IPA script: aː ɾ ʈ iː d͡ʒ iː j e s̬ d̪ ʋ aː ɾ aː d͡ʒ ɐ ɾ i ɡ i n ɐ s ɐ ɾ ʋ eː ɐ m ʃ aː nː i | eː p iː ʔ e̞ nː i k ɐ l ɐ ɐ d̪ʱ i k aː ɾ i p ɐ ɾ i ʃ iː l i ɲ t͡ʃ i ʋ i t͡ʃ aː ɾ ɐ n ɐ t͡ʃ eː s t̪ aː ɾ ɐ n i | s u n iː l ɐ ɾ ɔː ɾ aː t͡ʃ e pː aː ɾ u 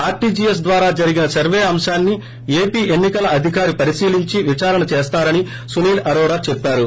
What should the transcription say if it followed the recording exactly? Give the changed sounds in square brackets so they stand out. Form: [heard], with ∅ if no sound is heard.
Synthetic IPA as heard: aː ɾ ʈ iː d͡ʒ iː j e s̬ d̪ ʋ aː ɾ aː d͡ʒ ɐ ɾ i ɡ i n ɐ s ɐ ɾ ʋ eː ɐ m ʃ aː nː i | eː p iː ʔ e̞ nː i k ɐ l ɐ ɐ d̪ʱ i k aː ɾ i p ɐ ɾ i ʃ iː l i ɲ t͡ʃ i ʋ i t͡ʃ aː ɾ ɐ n ɐ t͡ʃ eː s t̪ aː ɾ ɐ n i | s u n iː l ɐ ɾ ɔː ɾ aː t͡ʃ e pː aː ɾ u